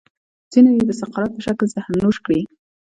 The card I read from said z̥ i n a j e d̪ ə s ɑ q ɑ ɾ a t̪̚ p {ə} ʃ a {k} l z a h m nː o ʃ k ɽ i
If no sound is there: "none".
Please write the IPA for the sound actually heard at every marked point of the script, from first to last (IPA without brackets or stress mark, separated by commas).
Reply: ə, k